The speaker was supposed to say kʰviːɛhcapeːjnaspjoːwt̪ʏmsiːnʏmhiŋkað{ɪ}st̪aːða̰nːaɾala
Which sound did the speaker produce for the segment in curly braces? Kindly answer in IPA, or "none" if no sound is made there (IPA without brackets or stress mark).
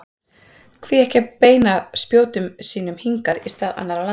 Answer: i